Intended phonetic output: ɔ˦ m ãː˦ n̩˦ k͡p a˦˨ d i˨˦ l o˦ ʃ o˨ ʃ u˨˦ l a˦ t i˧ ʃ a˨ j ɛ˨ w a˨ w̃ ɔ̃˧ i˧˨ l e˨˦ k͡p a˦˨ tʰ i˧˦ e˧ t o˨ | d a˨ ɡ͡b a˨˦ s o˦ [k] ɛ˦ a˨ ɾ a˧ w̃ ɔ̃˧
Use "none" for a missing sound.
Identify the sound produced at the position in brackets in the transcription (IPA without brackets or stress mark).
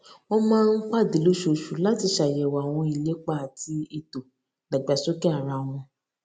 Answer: k